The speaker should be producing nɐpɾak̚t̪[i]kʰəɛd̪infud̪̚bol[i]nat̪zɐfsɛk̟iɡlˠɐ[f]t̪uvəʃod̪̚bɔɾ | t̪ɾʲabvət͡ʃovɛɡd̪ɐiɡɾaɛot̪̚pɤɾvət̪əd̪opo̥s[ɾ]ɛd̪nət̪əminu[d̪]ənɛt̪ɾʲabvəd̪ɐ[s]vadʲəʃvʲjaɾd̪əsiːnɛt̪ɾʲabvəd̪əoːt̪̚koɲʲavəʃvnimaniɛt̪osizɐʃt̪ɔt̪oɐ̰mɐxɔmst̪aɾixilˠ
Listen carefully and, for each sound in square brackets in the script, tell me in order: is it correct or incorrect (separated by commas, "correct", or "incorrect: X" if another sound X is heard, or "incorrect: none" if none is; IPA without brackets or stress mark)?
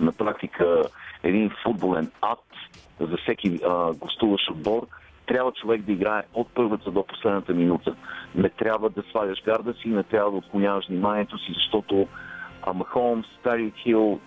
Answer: correct, incorrect: ɛ, incorrect: s, incorrect: l, incorrect: t̪, correct